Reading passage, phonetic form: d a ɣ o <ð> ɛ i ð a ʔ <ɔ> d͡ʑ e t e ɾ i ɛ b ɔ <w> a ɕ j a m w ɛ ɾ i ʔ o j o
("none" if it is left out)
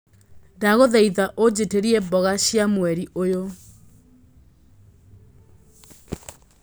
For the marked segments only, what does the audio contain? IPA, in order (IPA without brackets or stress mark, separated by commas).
ð, o, ɣ